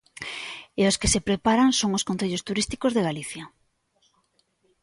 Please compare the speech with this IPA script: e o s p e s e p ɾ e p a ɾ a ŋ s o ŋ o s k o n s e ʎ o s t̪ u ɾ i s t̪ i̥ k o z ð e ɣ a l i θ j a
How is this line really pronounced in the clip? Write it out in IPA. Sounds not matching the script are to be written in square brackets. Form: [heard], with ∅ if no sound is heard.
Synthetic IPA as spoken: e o s [k] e s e p ɾ e p a ɾ a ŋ s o ŋ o s k o n [θ] e ʎ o s t̪ u ɾ i s t̪ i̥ k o z ð e ɣ a l i θ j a